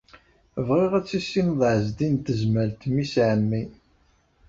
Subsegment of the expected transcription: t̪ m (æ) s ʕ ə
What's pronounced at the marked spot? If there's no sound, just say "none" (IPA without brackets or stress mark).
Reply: i